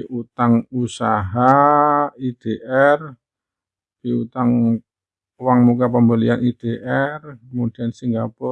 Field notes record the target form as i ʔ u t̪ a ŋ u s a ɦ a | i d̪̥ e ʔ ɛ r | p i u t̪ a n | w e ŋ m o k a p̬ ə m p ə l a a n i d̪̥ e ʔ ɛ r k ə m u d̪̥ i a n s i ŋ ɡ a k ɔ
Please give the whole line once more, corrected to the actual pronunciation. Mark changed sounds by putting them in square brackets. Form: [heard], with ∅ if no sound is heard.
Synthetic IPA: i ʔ u t̪ a ŋ u s a ɦ a | i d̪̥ e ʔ ɛ r | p i u t̪ a [ŋ] | w [a] ŋ m [u] k a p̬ ə m [b] ə l [i] a n i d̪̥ e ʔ ɛ r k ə m u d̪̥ i a n s i ŋ ɡ a [p] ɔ